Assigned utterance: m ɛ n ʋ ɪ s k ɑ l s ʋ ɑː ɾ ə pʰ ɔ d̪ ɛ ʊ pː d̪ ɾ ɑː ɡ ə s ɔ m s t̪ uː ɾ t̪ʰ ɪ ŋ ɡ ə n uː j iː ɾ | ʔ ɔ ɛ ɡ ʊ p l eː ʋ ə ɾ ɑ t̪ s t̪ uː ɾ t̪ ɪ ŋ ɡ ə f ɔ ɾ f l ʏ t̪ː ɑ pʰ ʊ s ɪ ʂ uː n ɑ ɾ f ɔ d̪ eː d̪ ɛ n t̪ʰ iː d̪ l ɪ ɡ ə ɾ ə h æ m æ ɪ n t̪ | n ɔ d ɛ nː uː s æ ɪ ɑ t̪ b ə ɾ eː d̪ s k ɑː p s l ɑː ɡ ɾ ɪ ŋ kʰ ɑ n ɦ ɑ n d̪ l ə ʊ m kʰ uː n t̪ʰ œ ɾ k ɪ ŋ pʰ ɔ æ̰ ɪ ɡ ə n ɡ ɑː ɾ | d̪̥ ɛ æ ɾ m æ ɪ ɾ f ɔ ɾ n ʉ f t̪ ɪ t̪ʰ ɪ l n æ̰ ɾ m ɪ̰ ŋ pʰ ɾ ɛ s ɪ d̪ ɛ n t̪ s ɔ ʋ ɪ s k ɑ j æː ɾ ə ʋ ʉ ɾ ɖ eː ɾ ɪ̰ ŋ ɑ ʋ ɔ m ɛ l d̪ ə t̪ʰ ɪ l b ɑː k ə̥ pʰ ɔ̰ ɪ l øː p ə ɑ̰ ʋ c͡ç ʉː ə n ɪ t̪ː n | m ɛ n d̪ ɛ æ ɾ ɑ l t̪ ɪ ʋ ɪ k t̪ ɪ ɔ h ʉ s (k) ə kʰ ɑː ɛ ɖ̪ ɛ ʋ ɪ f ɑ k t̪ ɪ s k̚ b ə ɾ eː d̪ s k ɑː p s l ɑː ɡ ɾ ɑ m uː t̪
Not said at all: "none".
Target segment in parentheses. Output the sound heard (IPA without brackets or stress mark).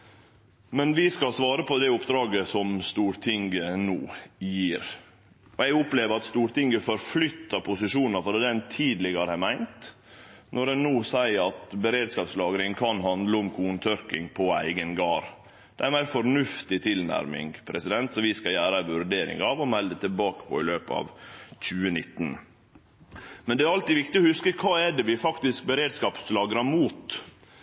k